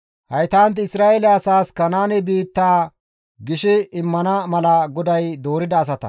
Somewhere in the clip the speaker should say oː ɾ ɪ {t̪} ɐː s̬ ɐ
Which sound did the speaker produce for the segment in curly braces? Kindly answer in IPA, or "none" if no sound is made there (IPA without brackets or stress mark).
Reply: d̪